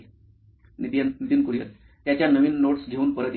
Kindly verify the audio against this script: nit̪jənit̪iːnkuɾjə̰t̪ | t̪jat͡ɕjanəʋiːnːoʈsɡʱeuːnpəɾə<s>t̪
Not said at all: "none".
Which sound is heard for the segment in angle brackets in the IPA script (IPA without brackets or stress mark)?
none